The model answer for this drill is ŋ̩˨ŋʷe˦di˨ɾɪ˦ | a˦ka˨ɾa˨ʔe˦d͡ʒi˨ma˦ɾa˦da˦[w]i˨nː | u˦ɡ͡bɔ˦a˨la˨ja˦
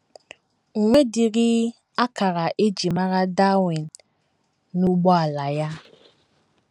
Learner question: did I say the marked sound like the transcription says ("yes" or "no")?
yes